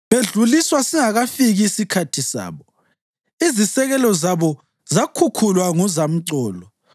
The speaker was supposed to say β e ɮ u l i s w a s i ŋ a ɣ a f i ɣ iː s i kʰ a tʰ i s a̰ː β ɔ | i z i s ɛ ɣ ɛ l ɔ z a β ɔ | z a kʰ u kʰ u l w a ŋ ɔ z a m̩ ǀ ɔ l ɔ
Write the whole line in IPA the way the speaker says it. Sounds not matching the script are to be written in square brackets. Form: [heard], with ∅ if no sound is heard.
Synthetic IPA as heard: β e ɮ u l i s w a s i ŋ a ɣ a f i ɣ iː s i kʰ a tʰ i s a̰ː β ɔ | i z i s ɛ ɣ ɛ l ɔ z a β ɔ | z a kʰ u kʰ u l w a ŋ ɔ z a m̩ ǀ [ɔː] l ɔ